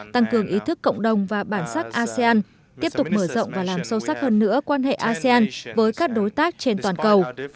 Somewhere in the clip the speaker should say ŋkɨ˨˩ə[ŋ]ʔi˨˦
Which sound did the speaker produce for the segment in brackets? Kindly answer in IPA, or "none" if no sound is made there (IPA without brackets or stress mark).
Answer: ŋ